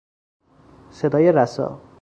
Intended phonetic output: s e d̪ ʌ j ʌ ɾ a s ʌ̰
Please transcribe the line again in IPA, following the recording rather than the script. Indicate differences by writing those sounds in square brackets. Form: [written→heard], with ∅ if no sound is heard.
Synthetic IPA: s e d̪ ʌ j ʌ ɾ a s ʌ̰